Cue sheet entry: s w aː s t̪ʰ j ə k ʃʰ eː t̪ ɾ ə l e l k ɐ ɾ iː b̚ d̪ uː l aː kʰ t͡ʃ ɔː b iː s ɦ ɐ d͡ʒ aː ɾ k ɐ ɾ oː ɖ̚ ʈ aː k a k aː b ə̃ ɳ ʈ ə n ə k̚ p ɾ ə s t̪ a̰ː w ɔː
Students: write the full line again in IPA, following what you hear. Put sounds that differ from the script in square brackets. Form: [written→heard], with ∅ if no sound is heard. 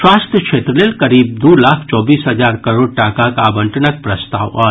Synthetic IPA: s w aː s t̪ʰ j ə k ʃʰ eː t̪ ɾ ə l e l k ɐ ɾ iː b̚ d̪ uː l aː kʰ t͡ʃ ɔː b iː s ɦ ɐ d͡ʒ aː ɾ k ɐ ɾ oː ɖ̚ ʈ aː k a k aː b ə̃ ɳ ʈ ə n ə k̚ p ɾ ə s t̪ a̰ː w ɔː

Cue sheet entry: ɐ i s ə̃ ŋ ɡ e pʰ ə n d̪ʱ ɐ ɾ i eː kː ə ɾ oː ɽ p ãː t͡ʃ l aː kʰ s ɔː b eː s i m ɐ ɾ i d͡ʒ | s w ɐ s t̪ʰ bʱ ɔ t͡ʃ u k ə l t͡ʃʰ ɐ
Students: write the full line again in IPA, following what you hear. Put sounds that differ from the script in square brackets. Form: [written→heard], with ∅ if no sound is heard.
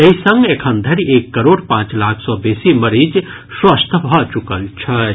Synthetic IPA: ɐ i s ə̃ ŋ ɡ e [pʰ→kʰ] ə n d̪ʱ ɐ ɾ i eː kː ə ɾ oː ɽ p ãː t͡ʃ l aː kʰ s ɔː b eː s i m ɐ ɾ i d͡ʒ | s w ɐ s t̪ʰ bʱ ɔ t͡ʃ u k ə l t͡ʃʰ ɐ

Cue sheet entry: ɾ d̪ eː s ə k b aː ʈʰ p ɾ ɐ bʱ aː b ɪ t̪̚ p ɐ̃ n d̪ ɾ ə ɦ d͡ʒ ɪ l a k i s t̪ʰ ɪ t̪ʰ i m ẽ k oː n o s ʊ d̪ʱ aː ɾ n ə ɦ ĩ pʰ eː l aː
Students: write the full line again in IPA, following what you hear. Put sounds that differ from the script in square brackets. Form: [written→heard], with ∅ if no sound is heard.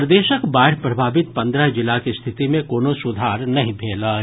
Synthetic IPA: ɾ d̪ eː [s→ʃ] ə k b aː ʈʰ p ɾ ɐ bʱ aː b ɪ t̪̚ p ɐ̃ n d̪ ɾ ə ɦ d͡ʒ ɪ l a k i s t̪ʰ ɪ [t̪ʰ→t̪] i m ẽ k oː n o s ʊ d̪ʱ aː ɾ n [ə→ɐ] ɦ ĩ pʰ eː l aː

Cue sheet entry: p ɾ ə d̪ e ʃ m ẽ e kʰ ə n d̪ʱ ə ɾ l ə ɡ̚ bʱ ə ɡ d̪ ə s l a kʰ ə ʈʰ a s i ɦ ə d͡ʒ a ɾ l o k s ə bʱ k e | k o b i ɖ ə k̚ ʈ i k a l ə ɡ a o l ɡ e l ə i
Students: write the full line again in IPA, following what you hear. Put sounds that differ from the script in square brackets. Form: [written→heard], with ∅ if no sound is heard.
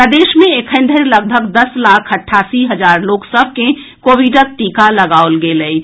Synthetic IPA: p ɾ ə d̪ e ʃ m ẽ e kʰ ə n d̪ʱ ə ɾ l ə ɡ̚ bʱ ə ɡ d̪ ə s l a kʰ ə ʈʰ a s i ɦ ə d͡ʒ a ɾ l o k s ə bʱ k e | k o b i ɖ ə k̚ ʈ i k a l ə ɡ a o l ɡ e l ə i

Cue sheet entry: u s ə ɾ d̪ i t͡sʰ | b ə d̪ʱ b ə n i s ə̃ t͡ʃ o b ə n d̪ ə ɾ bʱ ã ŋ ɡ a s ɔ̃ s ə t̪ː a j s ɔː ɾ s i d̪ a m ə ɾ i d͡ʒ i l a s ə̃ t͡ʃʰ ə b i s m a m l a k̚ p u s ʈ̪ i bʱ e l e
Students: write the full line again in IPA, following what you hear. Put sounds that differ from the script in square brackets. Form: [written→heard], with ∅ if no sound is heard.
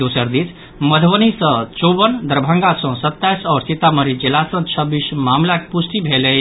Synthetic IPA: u s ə ɾ d̪ i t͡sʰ | [b→m] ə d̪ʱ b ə n i s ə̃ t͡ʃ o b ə n d̪ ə ɾ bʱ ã ŋ ɡ a s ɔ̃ s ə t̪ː a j s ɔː ɾ s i [d̪→t̪] a m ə ɾ i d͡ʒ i l a s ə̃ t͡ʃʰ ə b i s m a m l a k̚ p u s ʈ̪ i bʱ e l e

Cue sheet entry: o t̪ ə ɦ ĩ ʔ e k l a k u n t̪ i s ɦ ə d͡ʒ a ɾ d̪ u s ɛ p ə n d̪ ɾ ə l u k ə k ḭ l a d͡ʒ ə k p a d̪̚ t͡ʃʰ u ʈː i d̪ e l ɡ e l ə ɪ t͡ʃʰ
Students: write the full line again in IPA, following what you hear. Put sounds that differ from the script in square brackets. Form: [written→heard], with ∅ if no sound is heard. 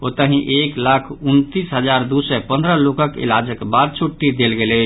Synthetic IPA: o t̪ ə ɦ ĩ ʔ e k l a [k→kʰ] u n t̪ i s ɦ ə d͡ʒ a ɾ d̪ u s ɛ p ə n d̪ ɾ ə l [u→o] k ə k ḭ l a d͡ʒ ə k [p→b] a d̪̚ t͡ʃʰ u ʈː i d̪ e l ɡ e l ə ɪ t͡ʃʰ

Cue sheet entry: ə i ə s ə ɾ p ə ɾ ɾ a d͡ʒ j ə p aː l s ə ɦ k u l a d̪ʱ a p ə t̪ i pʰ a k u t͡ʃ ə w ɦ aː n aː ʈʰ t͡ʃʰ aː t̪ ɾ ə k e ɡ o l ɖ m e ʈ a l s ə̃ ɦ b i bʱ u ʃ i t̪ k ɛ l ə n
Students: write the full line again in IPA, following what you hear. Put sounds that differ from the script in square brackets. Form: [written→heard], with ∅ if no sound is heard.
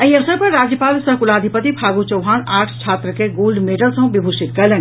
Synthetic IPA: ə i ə s ə ɾ p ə ɾ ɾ a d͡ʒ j ə p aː l s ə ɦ k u l a d̪ʱ [a→i] p ə t̪ i pʰ a [k→ɡ] u t͡ʃ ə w ɦ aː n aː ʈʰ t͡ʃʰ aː t̪ ɾ ə k e ɡ o l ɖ m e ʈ [a→ə] l s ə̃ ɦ b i bʱ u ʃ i t̪ k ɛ l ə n

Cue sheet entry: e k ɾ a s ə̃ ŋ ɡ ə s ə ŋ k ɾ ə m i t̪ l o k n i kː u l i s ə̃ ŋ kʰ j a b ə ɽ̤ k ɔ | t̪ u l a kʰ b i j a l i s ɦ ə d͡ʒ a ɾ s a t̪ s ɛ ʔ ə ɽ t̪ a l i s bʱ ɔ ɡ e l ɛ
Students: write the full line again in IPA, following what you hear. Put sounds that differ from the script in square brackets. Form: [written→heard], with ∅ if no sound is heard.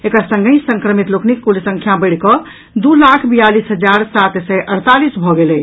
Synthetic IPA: e k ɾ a s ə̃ ŋ ɡ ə s ə ŋ k ɾ ə m i t̪ l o k n i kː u l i s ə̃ ŋ kʰ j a b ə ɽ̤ k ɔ | [t̪→d̪] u l a kʰ b i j a l i s ɦ ə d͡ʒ a ɾ s a t̪ s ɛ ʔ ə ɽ t̪ a l i s bʱ ɔ ɡ e l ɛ

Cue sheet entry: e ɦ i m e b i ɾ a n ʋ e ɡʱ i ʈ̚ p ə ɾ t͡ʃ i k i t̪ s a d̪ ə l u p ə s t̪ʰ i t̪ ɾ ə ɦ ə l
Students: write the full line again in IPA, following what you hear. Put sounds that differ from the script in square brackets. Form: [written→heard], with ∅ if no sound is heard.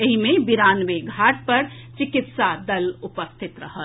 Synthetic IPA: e ɦ i m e b i ɾ a n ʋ e ɡʱ [i→a] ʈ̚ p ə ɾ t͡ʃ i k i t̪ s a d̪ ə l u p ə s t̪ʰ i t̪ ɾ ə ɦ ə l

